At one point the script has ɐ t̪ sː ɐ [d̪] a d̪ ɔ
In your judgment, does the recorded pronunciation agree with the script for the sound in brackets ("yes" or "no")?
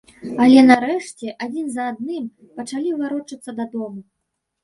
yes